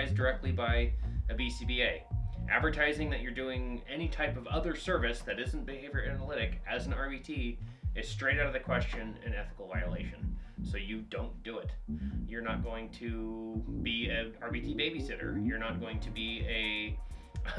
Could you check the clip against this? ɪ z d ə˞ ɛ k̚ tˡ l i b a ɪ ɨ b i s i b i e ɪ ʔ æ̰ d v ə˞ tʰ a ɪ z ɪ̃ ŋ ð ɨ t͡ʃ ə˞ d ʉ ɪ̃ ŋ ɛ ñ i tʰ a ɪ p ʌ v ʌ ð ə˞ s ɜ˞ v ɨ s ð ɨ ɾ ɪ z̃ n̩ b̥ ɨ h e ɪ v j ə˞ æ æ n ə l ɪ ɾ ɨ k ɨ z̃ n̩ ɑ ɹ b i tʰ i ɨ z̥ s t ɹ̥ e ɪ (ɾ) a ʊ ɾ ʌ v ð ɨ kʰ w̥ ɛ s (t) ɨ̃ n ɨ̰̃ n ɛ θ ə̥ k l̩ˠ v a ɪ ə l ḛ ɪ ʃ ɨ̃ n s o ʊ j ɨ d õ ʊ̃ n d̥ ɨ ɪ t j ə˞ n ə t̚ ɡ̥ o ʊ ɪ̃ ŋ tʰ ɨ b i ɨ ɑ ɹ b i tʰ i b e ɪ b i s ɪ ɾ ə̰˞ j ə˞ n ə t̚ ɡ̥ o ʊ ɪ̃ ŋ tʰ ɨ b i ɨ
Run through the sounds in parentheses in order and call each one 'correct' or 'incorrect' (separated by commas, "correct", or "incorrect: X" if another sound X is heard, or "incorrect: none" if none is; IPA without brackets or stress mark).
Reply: correct, incorrect: t͡ʃ